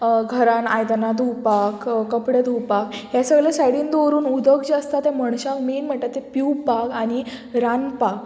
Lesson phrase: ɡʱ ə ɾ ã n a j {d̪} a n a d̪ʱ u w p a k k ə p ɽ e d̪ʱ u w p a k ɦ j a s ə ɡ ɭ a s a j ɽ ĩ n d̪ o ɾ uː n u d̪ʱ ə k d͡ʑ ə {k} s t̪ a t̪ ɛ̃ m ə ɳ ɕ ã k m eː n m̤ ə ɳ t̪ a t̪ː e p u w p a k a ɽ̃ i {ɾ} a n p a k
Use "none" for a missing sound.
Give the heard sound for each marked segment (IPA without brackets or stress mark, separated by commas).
d̪, none, ɾ